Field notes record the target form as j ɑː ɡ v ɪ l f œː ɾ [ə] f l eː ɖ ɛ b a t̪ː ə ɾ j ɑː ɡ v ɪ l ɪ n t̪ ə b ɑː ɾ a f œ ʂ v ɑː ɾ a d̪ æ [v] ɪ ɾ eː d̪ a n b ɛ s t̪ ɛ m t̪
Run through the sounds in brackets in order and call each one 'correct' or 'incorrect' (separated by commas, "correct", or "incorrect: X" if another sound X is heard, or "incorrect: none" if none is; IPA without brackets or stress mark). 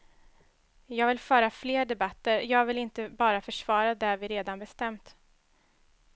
incorrect: a, correct